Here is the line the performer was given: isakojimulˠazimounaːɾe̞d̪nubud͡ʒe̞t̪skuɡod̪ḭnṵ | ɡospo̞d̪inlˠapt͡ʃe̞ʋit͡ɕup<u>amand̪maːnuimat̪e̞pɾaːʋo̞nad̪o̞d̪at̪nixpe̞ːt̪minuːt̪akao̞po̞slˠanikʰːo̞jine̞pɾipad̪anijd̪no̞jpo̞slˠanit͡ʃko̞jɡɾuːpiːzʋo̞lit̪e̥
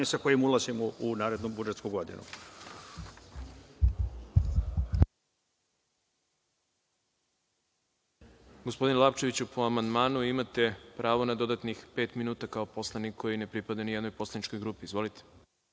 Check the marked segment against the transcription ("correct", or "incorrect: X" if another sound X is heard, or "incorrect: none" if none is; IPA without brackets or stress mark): incorrect: o